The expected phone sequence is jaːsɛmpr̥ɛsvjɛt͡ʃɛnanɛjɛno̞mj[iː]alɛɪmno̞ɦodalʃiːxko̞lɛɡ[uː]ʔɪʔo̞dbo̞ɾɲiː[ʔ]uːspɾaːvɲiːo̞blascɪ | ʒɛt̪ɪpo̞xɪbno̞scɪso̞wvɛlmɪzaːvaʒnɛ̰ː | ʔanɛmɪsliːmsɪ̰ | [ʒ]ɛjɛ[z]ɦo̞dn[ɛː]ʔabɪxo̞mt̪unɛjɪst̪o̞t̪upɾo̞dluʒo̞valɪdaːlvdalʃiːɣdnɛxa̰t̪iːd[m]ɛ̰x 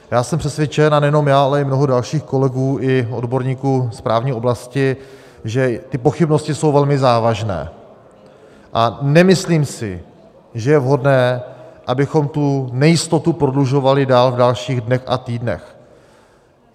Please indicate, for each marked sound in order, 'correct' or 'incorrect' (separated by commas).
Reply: incorrect, correct, incorrect, correct, incorrect, correct, incorrect